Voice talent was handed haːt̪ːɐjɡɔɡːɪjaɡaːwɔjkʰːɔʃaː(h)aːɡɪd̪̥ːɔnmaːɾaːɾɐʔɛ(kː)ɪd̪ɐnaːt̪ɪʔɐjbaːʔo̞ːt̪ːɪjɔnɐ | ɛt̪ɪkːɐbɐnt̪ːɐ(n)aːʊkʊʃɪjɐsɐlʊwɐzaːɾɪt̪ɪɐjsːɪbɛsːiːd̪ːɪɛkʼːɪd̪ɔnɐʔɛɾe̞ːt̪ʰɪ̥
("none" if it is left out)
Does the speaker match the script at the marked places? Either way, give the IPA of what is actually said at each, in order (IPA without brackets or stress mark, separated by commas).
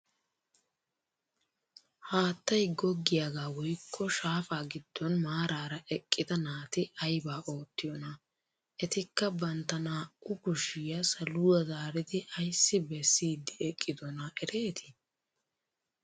f, kʼː, n